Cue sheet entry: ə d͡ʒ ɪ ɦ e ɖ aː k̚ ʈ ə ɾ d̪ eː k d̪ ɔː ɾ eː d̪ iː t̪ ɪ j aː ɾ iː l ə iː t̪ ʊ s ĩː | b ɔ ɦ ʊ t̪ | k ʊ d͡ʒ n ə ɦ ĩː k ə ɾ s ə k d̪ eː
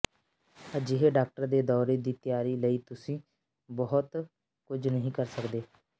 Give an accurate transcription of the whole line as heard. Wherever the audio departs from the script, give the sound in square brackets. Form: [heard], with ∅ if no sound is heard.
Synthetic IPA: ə d͡ʒ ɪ ɦ e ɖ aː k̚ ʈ ə ɾ d̪ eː [∅] d̪ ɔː ɾ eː d̪ iː t̪ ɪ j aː ɾ iː l ə iː t̪ ʊ s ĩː | b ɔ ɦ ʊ t̪ | k ʊ d͡ʒ n ə ɦ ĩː k ə ɾ s ə k d̪ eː